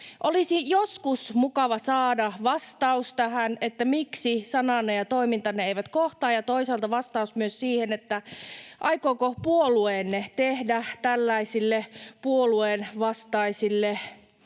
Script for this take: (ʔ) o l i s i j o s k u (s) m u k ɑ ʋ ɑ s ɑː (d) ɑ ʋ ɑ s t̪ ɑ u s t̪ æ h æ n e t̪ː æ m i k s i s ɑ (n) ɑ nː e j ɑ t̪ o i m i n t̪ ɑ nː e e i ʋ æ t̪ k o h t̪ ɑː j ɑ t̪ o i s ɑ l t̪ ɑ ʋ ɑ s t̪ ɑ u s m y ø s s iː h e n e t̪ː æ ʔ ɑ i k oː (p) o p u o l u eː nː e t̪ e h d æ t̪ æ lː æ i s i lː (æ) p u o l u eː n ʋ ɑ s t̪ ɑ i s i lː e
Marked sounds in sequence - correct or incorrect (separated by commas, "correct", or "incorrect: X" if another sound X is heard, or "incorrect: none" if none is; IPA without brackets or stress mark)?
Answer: correct, correct, correct, correct, incorrect: k, incorrect: e